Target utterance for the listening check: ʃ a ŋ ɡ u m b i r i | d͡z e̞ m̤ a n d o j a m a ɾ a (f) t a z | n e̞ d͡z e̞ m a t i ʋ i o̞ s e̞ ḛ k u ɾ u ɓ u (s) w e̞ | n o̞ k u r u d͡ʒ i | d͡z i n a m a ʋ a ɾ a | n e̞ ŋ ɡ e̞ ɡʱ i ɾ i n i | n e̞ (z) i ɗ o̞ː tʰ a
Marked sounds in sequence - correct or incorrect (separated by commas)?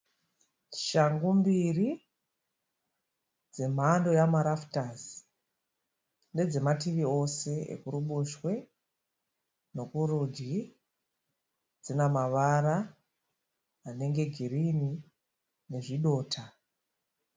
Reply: correct, incorrect, incorrect